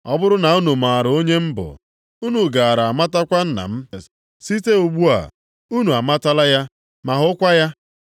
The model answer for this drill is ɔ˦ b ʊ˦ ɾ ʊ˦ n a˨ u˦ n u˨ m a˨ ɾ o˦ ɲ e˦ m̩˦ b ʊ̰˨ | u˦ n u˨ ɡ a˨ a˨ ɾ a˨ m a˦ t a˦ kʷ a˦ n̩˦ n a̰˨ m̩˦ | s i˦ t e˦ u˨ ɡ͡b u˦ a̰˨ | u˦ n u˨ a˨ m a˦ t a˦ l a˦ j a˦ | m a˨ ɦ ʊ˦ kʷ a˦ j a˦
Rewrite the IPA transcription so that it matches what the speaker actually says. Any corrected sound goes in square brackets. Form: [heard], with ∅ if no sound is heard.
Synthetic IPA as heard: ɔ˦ b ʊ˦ ɾ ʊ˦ n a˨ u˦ n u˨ m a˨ ɾ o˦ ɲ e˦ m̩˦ b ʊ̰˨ | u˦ n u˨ ɡ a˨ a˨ ɾ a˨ m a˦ t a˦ kʷ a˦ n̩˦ n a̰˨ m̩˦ | s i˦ t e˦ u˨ ɡ͡b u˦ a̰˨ | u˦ n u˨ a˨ m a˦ t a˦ l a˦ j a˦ | m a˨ ɦ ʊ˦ kʷ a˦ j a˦